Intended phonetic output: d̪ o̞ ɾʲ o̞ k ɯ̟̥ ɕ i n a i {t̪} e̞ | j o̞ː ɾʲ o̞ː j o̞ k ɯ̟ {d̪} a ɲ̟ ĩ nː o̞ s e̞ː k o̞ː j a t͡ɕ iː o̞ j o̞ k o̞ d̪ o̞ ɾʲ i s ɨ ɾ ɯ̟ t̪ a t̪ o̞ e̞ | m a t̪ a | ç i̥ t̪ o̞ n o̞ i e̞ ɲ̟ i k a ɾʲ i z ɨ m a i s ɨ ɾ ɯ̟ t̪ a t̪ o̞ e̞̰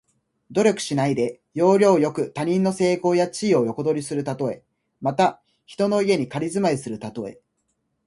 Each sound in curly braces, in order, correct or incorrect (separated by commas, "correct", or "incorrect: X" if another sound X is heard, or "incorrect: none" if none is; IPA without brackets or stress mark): incorrect: d̪, incorrect: t̪